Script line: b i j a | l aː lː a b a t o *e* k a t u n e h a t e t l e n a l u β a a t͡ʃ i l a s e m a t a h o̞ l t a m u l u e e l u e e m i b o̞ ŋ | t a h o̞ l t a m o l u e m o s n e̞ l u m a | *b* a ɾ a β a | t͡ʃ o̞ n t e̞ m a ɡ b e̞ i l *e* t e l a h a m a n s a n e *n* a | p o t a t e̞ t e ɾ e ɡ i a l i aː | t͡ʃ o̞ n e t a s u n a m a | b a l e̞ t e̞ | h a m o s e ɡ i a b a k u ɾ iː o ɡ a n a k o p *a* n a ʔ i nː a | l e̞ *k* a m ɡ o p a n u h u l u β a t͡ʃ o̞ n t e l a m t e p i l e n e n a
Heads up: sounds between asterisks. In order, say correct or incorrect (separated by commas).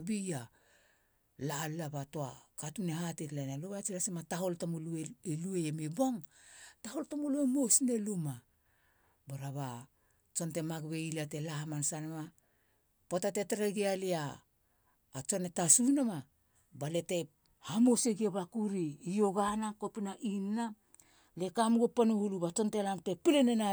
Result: incorrect, correct, incorrect, incorrect, incorrect, correct